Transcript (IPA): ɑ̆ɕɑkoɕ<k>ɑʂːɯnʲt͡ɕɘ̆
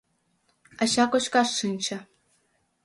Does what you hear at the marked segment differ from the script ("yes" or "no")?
no